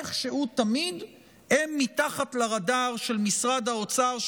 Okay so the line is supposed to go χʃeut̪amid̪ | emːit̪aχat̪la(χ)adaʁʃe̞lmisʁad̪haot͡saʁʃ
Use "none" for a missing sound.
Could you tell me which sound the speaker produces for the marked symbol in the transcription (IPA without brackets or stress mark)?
ʁ